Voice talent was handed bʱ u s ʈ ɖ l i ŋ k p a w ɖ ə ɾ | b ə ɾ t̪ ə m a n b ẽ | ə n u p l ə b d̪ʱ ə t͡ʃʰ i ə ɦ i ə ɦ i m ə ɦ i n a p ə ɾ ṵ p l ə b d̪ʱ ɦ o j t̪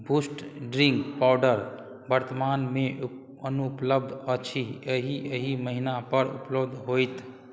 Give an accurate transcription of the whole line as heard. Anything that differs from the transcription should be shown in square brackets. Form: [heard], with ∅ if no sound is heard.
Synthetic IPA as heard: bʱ u s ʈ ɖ [ɾ] i ŋ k p a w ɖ ə ɾ | b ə ɾ t̪ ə m a n [m] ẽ | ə n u p l ə b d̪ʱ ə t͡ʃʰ i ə ɦ i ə ɦ i m ə ɦ i n a p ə ɾ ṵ p l ə b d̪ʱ ɦ o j t̪

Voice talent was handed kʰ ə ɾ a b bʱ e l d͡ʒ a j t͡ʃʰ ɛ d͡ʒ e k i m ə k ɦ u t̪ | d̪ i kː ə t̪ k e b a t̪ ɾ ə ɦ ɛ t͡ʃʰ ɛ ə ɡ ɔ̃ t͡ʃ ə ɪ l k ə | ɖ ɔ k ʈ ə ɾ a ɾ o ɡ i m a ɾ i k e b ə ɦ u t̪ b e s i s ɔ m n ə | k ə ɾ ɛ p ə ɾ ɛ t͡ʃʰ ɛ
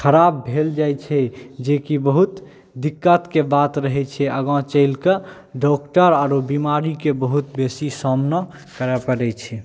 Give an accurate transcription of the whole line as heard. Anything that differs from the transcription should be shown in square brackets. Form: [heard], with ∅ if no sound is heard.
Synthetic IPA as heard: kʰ ə ɾ a b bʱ e l d͡ʒ a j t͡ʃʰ ɛ d͡ʒ e k i [b] ə [∅] ɦ u t̪ | d̪ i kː ə t̪ k e b a t̪ ɾ ə ɦ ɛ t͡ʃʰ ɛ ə ɡ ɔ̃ t͡ʃ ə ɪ l k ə | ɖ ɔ k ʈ ə ɾ a ɾ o [b] i m a ɾ i k e b ə ɦ u t̪ b e s i s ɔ m n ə | k ə ɾ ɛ p ə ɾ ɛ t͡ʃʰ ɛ

